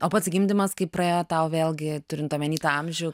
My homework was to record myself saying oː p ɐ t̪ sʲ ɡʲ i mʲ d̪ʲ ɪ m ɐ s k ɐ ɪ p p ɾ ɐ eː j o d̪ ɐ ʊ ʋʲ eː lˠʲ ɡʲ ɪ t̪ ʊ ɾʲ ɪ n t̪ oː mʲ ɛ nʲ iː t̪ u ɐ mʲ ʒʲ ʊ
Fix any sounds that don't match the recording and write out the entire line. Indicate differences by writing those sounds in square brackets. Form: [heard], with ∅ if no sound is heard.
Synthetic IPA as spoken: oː p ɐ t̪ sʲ ɡʲ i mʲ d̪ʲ ɪ m ɐ s k ɐ ɪ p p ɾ ɐ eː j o [t̪] ɐ ʊ ʋʲ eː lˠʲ ɡʲ ɪ t̪ ʊ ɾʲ ɪ n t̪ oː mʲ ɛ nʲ iː t̪ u ɐ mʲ ʒʲ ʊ